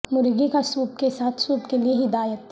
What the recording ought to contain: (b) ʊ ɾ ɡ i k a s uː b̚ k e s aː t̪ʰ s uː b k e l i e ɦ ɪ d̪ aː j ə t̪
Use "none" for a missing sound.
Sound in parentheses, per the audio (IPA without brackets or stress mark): m